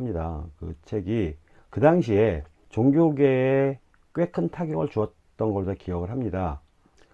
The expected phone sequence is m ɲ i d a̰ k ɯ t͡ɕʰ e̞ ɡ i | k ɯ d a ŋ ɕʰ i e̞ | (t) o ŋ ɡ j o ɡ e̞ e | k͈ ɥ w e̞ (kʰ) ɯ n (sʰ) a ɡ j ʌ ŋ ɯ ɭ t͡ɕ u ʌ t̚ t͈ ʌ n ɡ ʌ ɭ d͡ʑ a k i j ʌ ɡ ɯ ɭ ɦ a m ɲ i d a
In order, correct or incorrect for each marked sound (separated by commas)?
incorrect, correct, incorrect